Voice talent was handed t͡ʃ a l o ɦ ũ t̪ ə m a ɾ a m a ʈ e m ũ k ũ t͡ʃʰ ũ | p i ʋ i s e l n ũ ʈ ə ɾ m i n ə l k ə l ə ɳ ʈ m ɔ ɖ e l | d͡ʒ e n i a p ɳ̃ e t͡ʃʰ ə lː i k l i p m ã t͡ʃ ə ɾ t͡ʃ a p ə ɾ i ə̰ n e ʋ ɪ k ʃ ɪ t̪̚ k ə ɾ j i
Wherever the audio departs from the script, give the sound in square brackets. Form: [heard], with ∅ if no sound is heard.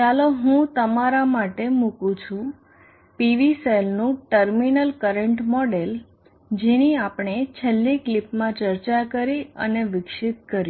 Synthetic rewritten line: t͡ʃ a l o ɦ ũ t̪ ə m a ɾ a m a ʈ e m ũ k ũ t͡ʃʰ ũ | p i ʋ i s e l n ũ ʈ ə ɾ m i n ə l k ə [ɾ] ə ɳ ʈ m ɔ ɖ e l | d͡ʒ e n i a p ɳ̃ e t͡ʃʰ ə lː i k l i p m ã t͡ʃ ə ɾ t͡ʃ a [k] ə ɾ i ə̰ n e ʋ ɪ k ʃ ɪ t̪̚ k ə ɾ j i